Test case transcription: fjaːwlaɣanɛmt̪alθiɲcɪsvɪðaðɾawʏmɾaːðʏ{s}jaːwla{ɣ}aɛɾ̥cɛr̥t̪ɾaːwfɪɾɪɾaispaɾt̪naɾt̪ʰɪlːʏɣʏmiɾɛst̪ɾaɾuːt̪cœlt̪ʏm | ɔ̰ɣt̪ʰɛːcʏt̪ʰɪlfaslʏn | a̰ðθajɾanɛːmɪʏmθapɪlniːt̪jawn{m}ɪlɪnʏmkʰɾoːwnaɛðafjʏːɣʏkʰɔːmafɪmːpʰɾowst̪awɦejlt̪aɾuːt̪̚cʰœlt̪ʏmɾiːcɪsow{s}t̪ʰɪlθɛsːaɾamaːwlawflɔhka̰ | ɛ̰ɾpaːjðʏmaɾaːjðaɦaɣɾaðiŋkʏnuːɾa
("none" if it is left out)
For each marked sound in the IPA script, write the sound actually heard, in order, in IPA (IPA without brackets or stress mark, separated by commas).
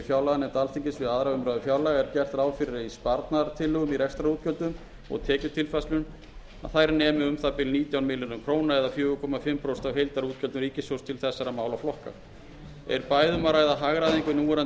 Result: f, ɣ, m, s